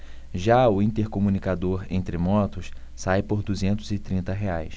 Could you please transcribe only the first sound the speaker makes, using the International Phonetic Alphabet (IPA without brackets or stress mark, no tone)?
ʒ